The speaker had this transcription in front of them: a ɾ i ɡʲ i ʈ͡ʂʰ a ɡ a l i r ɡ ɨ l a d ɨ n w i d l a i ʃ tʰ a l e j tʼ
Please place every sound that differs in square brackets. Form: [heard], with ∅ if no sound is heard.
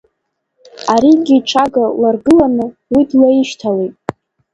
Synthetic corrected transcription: a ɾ i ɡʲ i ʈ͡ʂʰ a ɡ a l [a] r ɡ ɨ l a [n] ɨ [∅] w i d l a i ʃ tʰ a l e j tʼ